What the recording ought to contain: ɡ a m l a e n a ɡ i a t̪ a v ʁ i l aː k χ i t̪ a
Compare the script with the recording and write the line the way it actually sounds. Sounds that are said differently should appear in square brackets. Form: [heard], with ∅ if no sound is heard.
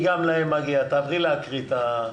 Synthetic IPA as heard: ɡ a m l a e [m] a ɡ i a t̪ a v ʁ i l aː k [ʁ] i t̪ a